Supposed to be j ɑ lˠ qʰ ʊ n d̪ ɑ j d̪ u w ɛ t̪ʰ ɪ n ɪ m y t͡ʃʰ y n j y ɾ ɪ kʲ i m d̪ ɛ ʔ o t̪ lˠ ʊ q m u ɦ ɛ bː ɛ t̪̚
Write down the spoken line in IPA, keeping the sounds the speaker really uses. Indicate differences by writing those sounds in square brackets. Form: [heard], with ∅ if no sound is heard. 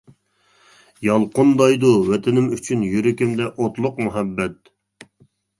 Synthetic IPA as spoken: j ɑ lˠ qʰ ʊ n d̪ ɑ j d̪ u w ɛ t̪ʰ ɪ n ɪ m y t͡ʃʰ y n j y ɾ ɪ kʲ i m d̪ ɛ ʔ o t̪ lˠ ʊ q m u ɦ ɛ bː ɛ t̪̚